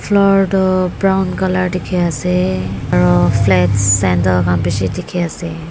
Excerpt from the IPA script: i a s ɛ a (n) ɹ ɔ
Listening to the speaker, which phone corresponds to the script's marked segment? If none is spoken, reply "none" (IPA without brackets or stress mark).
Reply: none